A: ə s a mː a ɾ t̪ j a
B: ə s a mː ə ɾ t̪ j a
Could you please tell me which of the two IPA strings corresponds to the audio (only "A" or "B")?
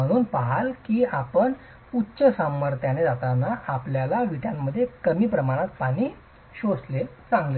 B